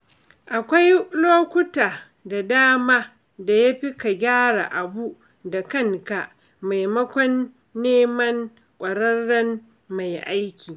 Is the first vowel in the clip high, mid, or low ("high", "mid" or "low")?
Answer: low